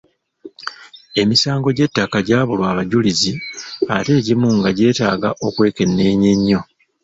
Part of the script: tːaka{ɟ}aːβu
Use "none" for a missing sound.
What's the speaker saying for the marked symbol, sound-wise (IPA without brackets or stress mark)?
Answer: ɟ